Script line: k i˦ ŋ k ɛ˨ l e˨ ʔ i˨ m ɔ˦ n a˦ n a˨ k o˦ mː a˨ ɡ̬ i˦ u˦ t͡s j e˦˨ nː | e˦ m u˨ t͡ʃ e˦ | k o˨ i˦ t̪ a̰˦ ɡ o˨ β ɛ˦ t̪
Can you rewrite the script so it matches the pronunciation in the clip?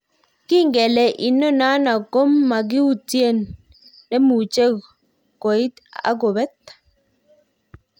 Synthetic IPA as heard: k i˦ ŋ ɡ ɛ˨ l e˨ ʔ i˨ n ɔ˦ n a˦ n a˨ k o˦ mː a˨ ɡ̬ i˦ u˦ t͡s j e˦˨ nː | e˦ m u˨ t͡ʃ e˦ | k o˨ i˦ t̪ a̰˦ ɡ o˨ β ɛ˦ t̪